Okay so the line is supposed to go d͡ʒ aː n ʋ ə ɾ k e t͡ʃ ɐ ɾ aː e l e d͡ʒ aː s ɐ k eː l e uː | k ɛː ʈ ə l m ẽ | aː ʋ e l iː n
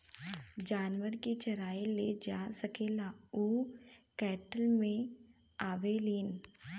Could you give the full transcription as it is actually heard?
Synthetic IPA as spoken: d͡ʒ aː n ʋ ə ɾ k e t͡ʃ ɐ ɾ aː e l e d͡ʒ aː s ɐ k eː l a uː | k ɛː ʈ ə l m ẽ | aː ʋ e l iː n